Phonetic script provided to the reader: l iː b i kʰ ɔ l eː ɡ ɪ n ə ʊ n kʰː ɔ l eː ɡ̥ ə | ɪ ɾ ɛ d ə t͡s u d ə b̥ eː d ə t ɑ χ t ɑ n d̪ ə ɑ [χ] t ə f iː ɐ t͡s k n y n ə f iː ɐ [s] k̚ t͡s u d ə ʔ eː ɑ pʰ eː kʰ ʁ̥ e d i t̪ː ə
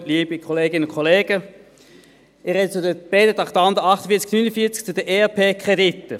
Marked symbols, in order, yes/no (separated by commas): yes, no